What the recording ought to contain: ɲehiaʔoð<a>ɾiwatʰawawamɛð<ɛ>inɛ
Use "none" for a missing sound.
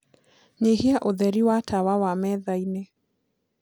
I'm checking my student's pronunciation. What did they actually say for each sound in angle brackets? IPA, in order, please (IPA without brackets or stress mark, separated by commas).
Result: ɛ, a